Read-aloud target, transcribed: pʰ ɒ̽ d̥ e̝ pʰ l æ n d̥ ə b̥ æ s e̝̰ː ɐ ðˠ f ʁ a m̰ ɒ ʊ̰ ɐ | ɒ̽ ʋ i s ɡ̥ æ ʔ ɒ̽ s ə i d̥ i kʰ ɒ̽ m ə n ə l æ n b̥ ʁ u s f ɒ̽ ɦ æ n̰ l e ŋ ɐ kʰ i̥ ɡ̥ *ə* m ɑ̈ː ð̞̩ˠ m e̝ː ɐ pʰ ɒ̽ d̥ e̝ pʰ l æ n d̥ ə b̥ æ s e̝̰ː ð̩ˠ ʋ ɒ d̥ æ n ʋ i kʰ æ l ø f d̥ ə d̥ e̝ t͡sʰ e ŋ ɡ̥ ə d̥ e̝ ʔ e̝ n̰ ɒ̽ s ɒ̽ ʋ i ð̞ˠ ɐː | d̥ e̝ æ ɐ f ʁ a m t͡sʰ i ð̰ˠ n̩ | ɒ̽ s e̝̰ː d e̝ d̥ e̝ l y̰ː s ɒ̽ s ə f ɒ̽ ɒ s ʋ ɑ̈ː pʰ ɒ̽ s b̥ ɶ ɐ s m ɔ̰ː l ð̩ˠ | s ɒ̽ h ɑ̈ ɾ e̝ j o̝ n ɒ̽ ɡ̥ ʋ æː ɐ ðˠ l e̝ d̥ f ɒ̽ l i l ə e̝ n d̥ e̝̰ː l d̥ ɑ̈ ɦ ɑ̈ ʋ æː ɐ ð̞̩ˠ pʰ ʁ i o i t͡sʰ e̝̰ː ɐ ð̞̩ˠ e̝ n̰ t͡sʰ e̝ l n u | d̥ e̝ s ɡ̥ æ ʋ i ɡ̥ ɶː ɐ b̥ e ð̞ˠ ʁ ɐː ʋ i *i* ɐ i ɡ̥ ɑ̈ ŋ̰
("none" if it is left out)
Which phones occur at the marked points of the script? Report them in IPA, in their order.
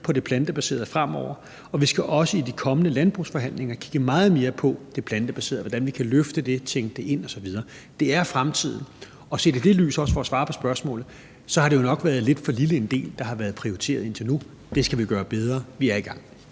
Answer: ə, æ

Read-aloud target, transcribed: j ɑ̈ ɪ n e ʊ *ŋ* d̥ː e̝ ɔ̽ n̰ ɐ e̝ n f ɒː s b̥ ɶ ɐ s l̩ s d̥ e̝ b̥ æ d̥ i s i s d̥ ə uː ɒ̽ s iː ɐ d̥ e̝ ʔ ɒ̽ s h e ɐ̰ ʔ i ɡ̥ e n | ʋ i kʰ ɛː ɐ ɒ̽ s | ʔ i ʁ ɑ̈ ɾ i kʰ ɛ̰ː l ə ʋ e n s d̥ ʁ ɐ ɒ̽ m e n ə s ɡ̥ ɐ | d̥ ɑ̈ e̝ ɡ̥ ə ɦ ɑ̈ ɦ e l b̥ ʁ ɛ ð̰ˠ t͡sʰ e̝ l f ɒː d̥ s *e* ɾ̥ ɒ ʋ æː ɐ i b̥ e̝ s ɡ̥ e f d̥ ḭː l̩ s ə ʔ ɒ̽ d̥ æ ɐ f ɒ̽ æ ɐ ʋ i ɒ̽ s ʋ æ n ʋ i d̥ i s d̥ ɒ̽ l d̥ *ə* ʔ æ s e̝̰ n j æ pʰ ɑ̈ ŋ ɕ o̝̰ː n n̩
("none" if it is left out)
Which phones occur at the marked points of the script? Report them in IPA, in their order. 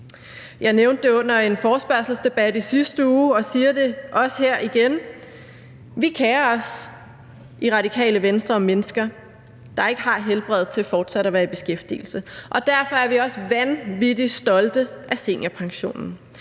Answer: n, æ, ə

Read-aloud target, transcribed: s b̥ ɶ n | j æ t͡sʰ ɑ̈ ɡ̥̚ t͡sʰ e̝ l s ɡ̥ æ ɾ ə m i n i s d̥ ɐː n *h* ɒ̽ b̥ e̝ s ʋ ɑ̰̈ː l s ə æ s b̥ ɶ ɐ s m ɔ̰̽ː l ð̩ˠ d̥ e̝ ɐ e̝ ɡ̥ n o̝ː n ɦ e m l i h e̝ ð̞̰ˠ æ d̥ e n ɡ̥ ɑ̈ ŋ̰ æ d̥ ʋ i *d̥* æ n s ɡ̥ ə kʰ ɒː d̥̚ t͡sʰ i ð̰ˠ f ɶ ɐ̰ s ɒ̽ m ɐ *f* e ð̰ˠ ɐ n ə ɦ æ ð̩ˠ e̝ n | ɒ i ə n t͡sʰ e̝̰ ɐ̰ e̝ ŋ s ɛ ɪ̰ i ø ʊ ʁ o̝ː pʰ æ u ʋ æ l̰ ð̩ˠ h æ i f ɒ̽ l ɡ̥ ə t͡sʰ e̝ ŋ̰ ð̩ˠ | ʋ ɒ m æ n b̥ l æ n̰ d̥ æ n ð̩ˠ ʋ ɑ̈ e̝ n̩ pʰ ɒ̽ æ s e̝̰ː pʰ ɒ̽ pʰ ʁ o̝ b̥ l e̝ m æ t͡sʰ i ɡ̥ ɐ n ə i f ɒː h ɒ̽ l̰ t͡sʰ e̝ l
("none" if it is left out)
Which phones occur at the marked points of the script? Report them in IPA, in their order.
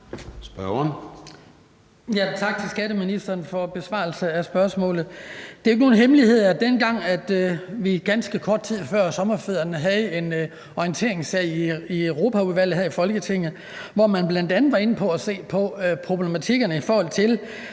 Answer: f, ɡ̥, f

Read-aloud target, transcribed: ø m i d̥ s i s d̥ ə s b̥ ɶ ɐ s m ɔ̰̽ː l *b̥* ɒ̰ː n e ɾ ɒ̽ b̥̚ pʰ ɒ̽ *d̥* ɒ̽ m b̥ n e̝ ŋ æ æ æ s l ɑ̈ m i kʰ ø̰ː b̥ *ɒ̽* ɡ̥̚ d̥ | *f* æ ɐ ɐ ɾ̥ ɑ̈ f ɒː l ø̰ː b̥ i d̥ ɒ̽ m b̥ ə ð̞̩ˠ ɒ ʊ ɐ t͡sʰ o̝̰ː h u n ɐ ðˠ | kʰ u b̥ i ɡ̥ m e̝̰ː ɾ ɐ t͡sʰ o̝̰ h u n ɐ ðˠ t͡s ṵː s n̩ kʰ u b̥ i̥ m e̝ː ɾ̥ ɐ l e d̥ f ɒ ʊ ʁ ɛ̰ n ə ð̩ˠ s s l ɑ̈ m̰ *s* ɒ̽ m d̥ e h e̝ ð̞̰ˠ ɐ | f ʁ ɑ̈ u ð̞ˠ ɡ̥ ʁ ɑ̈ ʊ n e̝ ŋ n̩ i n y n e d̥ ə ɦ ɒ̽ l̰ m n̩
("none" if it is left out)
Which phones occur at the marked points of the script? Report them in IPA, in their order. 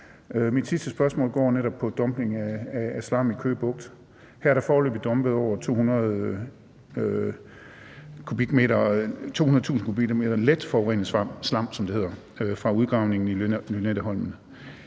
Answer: ɡ̥, d̥, ɔ̽, h, s

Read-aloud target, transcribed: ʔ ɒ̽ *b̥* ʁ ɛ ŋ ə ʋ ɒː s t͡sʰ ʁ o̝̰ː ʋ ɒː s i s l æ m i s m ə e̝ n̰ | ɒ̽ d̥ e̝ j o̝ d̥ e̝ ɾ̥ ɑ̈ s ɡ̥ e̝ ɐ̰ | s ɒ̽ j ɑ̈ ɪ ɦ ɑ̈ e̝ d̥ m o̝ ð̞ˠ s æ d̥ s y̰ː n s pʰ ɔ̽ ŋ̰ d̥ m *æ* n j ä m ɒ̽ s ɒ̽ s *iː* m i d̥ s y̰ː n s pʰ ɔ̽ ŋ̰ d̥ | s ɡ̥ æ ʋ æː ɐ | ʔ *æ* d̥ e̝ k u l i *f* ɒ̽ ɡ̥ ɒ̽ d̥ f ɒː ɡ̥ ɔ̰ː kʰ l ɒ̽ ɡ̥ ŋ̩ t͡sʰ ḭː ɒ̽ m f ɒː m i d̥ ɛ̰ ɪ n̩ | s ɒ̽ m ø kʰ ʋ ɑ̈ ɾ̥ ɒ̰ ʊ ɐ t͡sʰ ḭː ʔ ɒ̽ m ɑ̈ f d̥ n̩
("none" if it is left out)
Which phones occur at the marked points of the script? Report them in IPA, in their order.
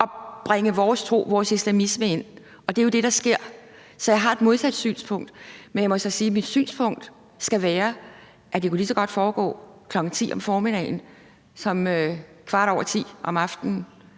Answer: b̥, e, iː, æ, s

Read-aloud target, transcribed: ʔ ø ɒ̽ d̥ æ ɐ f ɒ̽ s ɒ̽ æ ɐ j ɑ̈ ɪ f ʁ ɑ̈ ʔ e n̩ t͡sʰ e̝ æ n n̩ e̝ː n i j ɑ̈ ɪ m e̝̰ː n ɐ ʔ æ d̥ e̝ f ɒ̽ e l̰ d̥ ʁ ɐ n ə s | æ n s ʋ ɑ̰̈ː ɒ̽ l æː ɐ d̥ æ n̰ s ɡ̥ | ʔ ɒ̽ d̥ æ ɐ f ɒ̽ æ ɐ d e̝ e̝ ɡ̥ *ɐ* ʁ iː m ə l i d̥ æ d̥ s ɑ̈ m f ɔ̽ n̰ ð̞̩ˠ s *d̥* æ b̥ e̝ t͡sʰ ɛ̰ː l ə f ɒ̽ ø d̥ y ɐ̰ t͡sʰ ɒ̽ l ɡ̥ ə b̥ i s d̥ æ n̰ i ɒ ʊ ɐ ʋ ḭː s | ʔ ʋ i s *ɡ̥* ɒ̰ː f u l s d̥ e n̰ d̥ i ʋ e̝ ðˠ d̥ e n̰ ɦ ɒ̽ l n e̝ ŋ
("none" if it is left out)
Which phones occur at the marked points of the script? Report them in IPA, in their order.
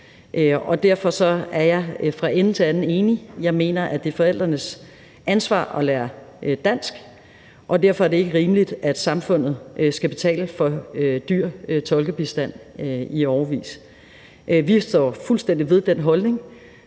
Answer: ə, ɡ̥, d̥

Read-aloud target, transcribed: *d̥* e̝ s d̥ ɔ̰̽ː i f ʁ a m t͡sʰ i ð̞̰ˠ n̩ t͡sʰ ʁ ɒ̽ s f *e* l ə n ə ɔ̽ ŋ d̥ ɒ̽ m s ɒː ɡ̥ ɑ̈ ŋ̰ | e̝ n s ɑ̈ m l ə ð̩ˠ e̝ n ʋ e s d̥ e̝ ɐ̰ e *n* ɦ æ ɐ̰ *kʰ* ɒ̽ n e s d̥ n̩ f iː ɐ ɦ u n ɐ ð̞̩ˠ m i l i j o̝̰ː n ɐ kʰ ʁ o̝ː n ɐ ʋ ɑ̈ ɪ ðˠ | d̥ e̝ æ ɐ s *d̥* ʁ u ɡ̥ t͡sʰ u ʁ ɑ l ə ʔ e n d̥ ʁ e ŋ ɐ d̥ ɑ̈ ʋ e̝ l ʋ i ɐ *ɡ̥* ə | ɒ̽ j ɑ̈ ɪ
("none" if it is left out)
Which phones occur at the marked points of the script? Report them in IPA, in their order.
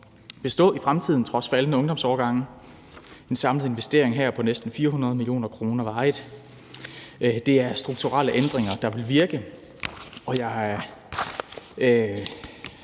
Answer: b̥, æ, ŋ, pʰ, d̥, ɡ̥

